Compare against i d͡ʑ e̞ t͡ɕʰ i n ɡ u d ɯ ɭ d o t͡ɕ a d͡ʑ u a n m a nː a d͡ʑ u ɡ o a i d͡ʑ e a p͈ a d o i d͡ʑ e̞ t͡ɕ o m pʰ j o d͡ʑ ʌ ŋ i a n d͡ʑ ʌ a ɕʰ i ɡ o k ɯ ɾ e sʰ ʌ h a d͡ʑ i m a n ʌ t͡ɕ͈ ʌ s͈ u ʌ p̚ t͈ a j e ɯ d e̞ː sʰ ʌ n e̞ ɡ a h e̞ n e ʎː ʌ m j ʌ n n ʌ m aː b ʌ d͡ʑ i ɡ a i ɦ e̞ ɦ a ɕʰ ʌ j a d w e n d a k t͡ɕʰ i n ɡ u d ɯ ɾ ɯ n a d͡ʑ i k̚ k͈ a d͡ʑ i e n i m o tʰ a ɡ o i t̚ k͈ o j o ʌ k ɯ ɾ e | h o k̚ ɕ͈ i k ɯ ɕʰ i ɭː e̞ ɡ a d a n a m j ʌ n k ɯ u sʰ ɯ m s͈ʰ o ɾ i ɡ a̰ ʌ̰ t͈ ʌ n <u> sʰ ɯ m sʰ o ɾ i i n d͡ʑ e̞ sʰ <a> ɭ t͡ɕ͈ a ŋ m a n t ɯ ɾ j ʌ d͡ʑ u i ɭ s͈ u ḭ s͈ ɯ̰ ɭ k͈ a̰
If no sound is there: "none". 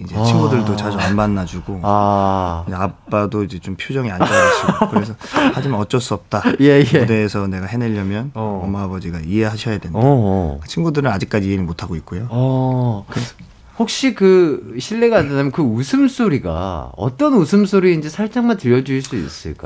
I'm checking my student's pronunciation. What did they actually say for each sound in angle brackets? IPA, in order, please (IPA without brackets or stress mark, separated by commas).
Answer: u, a